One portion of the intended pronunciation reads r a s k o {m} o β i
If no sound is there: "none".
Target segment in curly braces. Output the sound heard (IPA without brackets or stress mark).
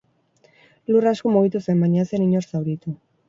m